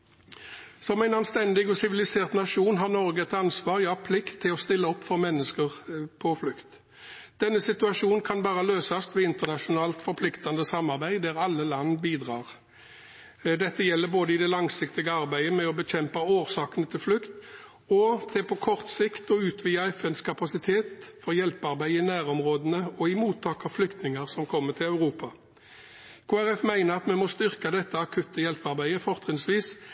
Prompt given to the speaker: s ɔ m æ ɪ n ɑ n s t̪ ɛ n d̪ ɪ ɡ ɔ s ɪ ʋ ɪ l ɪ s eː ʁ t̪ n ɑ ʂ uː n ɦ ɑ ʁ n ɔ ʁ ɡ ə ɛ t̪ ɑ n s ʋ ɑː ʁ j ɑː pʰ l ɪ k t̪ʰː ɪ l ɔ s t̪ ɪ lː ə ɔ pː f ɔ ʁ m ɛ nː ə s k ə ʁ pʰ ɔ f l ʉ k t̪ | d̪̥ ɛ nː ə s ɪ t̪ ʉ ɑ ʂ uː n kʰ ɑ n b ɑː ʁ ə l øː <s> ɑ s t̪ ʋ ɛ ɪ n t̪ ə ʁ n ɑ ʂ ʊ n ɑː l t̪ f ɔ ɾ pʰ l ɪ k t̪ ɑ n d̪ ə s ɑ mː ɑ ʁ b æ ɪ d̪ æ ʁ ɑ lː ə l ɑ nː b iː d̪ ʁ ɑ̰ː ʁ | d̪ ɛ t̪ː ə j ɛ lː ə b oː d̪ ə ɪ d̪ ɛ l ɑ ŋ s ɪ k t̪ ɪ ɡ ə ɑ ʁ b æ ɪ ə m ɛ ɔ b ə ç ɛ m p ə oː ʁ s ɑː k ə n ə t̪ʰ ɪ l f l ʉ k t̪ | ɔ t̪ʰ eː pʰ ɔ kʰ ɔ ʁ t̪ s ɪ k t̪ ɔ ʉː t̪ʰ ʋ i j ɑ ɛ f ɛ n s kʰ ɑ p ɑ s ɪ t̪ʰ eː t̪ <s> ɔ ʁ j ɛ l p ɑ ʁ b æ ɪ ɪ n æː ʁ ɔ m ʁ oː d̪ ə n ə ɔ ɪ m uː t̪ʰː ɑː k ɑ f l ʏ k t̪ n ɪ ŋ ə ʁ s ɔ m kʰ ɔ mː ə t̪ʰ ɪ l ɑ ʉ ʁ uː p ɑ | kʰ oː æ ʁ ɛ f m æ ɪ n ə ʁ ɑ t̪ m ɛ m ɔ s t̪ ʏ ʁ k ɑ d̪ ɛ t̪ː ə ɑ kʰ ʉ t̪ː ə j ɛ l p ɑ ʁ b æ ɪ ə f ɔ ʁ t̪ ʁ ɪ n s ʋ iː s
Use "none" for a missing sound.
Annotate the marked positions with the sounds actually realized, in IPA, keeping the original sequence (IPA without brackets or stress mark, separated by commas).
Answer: s, f